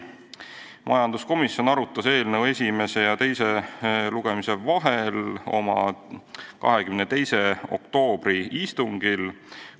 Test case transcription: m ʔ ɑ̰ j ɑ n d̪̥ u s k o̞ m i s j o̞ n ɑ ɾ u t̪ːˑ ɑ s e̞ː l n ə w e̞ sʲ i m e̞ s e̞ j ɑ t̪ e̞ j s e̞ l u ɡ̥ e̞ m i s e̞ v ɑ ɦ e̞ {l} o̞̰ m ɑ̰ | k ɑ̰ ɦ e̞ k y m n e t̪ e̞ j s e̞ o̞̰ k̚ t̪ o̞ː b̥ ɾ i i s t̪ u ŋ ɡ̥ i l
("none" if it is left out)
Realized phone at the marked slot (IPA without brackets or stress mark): l